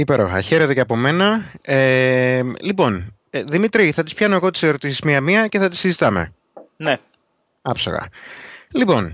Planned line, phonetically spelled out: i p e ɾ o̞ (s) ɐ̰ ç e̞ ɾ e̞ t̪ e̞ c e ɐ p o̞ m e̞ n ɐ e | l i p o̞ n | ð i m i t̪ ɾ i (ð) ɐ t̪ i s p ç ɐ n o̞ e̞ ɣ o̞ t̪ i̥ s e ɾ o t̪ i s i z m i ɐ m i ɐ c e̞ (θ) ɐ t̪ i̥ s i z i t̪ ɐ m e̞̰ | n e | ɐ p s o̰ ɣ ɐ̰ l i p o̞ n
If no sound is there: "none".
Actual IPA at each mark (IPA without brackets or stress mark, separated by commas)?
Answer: x, θ, θ